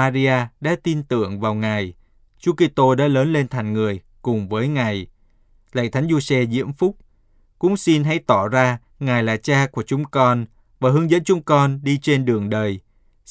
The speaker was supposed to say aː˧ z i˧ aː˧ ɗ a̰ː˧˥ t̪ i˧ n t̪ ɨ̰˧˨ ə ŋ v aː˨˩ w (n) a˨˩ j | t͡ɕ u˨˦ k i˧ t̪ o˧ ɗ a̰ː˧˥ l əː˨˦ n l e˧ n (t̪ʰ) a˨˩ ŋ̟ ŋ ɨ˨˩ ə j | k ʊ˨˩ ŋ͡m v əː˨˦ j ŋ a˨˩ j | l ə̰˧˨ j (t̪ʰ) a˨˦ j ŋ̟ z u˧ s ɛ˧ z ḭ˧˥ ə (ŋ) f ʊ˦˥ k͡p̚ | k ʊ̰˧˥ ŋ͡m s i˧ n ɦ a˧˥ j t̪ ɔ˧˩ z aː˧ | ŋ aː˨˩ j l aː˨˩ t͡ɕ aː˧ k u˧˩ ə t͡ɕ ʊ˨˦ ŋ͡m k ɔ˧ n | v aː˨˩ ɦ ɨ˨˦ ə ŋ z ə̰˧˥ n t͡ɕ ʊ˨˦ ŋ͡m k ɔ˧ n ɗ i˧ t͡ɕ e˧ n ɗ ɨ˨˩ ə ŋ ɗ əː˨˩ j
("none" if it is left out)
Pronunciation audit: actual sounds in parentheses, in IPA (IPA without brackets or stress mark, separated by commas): ŋ, t̪ʰ, t̪ʰ, m